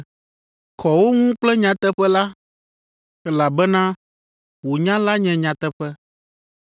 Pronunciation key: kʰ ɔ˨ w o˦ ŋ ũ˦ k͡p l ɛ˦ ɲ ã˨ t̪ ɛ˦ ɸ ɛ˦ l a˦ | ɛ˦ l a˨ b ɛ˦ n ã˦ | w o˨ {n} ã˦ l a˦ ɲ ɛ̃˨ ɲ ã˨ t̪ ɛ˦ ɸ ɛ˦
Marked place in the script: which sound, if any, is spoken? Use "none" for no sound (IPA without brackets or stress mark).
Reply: ɲ